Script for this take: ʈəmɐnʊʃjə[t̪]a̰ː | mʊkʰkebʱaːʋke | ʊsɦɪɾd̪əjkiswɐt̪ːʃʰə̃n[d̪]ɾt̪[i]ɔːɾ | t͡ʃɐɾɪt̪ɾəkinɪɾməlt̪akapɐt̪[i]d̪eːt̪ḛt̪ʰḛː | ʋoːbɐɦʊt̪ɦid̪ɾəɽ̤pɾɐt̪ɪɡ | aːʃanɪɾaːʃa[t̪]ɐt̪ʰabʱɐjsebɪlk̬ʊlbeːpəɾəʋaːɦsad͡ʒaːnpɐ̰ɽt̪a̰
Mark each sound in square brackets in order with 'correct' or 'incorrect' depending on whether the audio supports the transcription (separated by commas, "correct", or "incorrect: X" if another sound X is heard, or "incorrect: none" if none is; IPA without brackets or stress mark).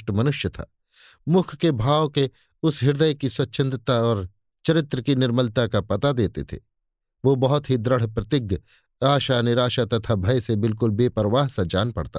incorrect: t̪ʰ, correct, incorrect: a, incorrect: a, correct